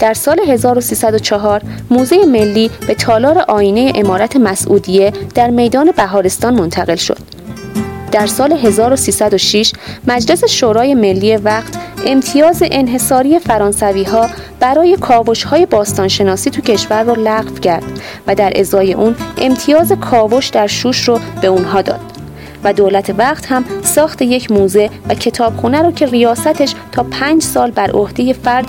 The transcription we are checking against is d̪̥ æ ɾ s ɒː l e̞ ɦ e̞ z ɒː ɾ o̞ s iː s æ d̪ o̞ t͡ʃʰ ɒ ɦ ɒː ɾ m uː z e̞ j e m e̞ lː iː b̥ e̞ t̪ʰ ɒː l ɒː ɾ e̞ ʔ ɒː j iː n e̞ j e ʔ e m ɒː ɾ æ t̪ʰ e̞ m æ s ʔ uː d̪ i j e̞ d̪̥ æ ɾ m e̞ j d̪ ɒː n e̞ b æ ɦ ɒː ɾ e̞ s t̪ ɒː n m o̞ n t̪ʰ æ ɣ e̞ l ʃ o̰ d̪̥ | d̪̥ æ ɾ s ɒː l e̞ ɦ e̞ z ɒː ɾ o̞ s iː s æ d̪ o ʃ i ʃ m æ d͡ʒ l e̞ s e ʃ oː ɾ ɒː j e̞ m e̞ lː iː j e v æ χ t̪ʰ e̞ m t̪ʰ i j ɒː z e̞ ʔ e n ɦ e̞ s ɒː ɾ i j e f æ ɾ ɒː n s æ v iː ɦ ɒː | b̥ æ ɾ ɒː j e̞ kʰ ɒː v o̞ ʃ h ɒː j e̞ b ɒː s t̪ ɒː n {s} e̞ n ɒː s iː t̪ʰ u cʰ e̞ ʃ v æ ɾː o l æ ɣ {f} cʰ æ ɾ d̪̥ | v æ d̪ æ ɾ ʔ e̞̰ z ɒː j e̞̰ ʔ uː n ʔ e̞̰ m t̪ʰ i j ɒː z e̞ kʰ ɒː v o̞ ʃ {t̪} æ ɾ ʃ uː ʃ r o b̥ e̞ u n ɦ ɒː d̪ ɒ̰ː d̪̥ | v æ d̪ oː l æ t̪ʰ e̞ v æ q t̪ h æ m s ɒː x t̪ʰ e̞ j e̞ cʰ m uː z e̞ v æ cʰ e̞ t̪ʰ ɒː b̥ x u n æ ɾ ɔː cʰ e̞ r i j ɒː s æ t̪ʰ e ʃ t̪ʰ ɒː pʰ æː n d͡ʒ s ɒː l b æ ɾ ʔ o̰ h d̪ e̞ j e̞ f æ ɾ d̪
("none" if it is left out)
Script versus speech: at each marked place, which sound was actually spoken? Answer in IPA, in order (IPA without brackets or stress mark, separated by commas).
ʃ, f, d̪